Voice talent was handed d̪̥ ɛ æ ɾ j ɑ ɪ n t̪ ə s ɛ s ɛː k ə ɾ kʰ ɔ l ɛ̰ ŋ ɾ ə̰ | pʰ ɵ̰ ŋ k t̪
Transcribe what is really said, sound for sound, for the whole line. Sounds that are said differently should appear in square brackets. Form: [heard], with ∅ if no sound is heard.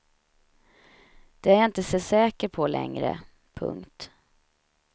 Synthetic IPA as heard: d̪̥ ɛ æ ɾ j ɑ ɪ n t̪ ə s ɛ s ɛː k ə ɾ [pʰ] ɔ l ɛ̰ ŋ ɾ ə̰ | pʰ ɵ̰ ŋ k t̪